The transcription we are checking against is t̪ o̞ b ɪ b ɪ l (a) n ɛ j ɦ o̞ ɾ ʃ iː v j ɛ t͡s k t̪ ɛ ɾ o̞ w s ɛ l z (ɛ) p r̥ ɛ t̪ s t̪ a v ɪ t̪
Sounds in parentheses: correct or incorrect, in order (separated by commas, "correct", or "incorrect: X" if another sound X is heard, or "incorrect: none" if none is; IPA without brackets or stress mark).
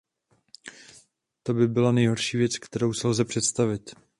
correct, correct